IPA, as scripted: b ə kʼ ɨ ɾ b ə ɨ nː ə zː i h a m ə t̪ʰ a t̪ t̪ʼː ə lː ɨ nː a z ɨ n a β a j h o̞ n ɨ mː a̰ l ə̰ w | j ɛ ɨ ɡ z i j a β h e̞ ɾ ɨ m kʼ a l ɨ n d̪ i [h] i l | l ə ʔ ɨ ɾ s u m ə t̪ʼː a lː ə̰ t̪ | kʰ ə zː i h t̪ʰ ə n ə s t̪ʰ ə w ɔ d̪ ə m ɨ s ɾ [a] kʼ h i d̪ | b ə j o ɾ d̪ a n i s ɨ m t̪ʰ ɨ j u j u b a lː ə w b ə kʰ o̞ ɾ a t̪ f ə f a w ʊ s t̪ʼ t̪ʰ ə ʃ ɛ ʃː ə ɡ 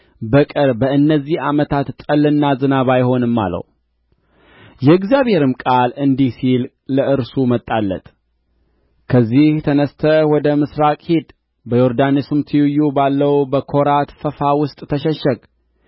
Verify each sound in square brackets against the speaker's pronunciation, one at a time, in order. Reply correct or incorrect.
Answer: incorrect, correct

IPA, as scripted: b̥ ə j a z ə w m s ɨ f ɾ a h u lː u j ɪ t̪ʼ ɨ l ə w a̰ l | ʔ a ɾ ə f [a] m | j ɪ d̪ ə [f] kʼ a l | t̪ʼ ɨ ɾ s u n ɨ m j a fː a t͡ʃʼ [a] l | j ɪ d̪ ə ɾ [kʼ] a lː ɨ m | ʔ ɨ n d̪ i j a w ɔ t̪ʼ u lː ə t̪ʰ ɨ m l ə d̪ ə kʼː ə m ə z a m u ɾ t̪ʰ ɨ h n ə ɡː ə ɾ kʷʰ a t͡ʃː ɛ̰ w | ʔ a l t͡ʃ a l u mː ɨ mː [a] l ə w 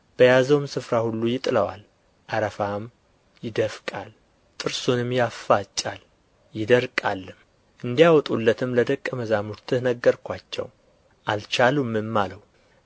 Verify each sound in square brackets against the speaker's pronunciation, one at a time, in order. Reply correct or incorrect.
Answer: correct, correct, correct, correct, correct

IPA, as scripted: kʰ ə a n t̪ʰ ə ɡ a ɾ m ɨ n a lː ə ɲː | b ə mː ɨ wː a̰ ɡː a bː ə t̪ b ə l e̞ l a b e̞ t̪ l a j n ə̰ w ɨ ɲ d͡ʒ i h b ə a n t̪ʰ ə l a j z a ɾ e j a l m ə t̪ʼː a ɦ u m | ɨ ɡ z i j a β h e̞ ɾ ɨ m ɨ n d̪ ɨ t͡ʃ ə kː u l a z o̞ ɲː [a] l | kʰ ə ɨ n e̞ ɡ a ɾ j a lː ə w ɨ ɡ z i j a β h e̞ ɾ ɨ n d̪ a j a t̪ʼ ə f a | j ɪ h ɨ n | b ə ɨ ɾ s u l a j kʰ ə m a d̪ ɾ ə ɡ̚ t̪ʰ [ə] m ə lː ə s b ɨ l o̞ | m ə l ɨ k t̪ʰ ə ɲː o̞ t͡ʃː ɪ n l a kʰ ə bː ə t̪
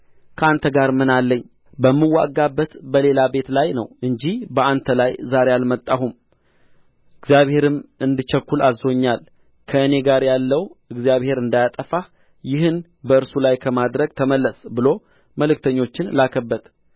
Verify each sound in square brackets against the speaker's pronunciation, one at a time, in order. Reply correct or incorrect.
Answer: correct, correct

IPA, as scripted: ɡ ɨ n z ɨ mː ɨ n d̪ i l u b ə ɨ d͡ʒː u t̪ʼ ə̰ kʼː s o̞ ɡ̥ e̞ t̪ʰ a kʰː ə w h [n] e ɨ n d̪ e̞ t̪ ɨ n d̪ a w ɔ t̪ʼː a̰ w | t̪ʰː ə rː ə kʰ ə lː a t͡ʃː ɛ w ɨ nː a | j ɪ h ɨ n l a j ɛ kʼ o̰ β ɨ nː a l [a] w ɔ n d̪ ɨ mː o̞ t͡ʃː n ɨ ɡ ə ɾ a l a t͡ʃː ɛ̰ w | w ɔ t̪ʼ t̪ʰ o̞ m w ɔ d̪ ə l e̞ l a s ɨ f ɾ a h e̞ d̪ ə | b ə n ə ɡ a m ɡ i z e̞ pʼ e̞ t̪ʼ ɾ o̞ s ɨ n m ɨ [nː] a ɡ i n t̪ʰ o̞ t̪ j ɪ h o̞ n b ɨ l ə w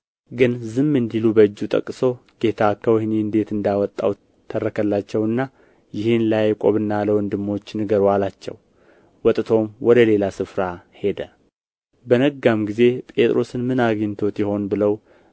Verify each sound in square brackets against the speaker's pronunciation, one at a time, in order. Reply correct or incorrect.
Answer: correct, incorrect, incorrect

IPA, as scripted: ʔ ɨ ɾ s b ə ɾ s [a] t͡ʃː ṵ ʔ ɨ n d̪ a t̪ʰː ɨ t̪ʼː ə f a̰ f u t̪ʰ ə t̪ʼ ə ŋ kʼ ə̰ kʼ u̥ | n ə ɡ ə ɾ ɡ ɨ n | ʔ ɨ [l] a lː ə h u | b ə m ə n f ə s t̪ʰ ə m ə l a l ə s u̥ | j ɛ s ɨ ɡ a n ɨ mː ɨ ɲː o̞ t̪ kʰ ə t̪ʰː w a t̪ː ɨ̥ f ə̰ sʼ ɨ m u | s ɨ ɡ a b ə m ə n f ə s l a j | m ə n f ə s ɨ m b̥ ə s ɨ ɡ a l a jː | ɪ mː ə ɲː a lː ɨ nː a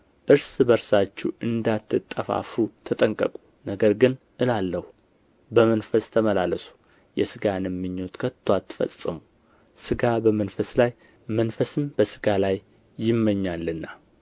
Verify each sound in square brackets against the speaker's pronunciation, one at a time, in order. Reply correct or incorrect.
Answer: correct, correct

